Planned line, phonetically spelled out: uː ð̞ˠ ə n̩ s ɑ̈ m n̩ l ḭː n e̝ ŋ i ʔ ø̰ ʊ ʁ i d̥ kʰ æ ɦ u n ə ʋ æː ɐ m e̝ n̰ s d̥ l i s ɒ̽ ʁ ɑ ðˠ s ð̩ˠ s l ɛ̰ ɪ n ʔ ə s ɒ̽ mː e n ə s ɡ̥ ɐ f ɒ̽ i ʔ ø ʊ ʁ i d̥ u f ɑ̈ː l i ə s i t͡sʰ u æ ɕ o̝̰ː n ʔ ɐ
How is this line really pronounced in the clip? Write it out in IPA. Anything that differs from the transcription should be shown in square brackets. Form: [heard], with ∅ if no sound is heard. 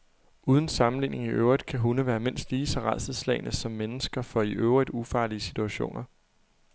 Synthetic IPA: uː ð̞ˠ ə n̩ s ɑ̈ m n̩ l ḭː n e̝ ŋ i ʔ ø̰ ʊ ʁ i d̥ kʰ æ ɦ u n ə ʋ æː ɐ m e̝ n̰ s d̥ l [iː] s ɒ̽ ʁ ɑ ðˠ s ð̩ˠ s l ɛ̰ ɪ n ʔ ə s ɒ̽ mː e n ə s ɡ̥ ɐ f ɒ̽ i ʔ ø ʊ ʁ i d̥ u f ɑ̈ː l i ə s i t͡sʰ u æ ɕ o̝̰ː n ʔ ɐ

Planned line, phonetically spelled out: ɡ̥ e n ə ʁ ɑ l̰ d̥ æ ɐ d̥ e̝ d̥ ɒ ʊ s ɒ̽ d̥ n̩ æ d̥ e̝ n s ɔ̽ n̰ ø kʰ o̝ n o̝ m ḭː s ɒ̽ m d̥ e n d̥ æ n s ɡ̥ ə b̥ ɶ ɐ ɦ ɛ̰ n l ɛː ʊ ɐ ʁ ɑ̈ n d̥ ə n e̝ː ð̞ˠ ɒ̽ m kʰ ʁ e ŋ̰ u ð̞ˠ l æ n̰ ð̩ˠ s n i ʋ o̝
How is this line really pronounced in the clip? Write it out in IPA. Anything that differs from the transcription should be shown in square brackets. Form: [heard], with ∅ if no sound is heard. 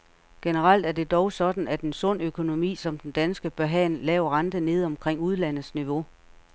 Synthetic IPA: ɡ̥ e n ə ʁ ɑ l̰ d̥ æ ɐ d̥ e̝ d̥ ɒ ʊ s ɒ̽ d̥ n̩ æ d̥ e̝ n s ɔ̽ n̰ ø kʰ o̝ n o̝ m ḭː s ɒ̽ m d̥ e n d̥ æ n s ɡ̥ ə b̥ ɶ ɐ ɦ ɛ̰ n l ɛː ʊ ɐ ʁ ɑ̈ n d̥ ə n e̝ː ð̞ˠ ɒ̽ m kʰ ʁ e ŋ̰ u ð̞ˠ l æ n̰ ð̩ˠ s n i ʋ o̝

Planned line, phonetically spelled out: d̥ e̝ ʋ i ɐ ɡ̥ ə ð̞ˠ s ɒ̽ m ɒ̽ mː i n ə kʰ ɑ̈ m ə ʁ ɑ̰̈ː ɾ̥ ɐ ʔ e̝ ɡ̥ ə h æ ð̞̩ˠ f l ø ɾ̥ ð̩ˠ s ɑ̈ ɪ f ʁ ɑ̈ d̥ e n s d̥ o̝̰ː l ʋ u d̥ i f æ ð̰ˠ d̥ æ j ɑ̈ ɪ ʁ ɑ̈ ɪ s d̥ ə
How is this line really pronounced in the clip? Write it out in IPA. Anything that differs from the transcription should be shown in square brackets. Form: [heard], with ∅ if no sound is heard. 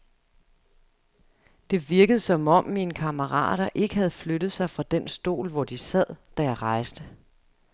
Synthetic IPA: d̥ e̝ ʋ i ɐ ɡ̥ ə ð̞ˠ s ɒ̽ m ɒ̽ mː i n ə kʰ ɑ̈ m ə ʁ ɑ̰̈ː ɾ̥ ɐ ʔ e̝ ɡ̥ ə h æ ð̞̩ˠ f l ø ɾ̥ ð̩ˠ s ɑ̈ ɪ f ʁ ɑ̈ d̥ e n s d̥ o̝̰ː l ʋ [ɒ] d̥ i [s] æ ð̰ˠ d̥ æ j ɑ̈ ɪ ʁ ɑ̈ ɪ s d̥ ə

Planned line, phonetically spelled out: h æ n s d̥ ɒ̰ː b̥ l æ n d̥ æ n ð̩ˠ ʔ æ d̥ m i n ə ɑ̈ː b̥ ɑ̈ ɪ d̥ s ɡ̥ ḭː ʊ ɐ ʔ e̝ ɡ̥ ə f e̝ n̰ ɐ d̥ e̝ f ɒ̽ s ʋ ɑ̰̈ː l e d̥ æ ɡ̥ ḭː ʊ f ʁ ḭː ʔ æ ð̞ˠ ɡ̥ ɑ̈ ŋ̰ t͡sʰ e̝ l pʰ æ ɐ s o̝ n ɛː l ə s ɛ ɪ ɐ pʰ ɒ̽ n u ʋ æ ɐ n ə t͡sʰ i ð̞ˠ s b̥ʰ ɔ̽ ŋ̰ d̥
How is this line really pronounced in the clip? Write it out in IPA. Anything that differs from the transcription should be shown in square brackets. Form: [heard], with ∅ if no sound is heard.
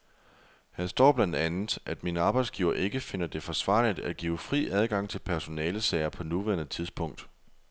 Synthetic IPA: h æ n s d̥ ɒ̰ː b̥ l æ n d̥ æ n ð̩ˠ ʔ æ d̥ m i n ə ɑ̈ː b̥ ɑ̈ ɪ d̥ s ɡ̥ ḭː ʊ ɐ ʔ e̝ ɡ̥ ə f e̝ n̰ ɐ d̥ e̝ f ɒ̽ s ʋ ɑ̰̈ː l [i] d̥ æ ɡ̥ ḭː ʊ f ʁ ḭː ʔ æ ð̞ˠ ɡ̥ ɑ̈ ŋ̰ t͡sʰ e̝ l pʰ æ ɐ s o̝ n ɛː l ə s ɛ ɪ ɐ pʰ ɒ̽ n u ʋ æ ɐ n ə t͡sʰ i ð̞ˠ s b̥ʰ ɔ̽ ŋ̰ d̥

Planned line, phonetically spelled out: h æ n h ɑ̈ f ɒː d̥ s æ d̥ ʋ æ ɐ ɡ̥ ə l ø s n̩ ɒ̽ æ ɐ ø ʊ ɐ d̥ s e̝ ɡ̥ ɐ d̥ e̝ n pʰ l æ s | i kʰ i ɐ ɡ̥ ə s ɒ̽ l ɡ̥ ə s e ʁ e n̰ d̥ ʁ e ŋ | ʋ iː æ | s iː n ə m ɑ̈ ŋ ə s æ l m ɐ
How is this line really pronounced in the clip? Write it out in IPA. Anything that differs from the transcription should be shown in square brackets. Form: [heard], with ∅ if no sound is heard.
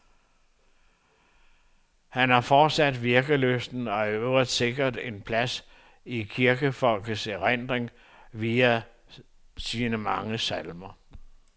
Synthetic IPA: h æ n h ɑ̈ f ɒː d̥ s æ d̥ ʋ [i] ɐ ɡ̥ ə l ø s n̩ ɒ̽ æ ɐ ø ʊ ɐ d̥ s e̝ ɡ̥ ɐ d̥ e̝ n pʰ l æ s | i kʰ i ɐ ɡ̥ ə [f] ɒ̽ l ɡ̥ ə s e ʁ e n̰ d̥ ʁ e ŋ | ʋ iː æ | s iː n ə m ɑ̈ ŋ ə s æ l m ɐ

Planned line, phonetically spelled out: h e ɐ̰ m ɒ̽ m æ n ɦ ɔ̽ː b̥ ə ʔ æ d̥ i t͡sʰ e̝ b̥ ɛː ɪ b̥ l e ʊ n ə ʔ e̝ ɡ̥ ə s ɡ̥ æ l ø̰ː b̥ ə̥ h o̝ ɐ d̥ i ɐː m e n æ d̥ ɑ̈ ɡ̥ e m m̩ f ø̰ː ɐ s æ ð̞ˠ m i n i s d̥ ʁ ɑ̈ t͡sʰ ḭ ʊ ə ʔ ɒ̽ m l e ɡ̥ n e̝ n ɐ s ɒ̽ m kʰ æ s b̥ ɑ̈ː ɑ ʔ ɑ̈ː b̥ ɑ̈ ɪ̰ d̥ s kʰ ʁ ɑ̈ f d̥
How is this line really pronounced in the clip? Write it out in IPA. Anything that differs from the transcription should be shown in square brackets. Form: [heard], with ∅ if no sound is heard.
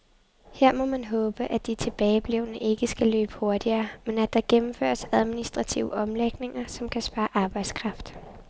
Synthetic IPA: h e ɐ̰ m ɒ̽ m æ n ɦ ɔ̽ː b̥ ə ʔ æ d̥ i t͡sʰ e̝ b̥ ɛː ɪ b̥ l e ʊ n ə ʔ e̝ ɡ̥ ə s ɡ̥ æ l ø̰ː b̥ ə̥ h o̝ ɐ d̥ i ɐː m e n æ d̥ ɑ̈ ɡ̥ e m m̩ f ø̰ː ɐ s æ ð̞ˠ m i n i s d̥ ʁ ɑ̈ t͡sʰ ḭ ʊ ə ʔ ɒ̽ m l e ɡ̥ n e̝ [ŋ] ɐ s ɒ̽ m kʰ æ s b̥ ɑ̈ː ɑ ʔ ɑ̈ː b̥ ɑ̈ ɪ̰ d̥ s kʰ ʁ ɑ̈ f d̥

